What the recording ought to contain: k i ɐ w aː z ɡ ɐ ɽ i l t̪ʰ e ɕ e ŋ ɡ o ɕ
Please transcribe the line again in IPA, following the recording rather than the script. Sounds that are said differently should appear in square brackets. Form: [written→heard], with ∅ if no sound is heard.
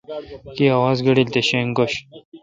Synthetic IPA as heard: k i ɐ w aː z ɡ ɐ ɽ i l [t̪ʰ→t̪] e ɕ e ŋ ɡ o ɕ

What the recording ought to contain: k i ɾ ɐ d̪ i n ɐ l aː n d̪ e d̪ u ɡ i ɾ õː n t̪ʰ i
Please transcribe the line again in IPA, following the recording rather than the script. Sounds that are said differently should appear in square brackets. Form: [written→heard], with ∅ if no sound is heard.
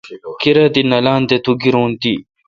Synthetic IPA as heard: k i ɾ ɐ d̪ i n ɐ l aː n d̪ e [d̪→t̪] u ɡ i ɾ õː n [t̪ʰ→t̪] i

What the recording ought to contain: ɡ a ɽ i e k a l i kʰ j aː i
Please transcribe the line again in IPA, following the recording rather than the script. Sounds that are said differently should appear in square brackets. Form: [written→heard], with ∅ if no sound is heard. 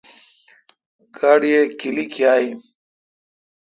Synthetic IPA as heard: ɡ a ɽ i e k [a→i] l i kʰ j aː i

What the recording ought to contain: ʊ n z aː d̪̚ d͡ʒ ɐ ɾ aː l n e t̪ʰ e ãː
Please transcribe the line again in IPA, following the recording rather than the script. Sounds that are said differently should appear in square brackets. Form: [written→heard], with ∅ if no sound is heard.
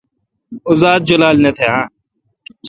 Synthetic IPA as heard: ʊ [n→∅] z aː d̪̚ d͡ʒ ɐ [ɾ→l] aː l n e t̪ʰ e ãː

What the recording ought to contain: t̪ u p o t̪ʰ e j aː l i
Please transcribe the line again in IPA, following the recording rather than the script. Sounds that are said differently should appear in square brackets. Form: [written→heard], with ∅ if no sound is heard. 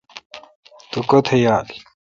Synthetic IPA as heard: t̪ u [p→k] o t̪ʰ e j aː l i

